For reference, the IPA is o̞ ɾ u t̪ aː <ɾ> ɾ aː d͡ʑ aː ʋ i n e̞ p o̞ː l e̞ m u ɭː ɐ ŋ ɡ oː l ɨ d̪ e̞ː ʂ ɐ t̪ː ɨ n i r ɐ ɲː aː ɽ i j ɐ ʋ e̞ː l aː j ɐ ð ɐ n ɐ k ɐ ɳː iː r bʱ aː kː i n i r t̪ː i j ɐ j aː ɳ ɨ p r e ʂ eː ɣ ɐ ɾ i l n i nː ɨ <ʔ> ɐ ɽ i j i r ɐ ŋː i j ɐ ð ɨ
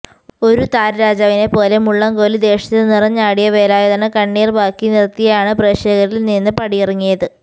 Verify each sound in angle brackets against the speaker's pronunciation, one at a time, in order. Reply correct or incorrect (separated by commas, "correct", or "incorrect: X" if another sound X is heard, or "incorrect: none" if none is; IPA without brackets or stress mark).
correct, incorrect: p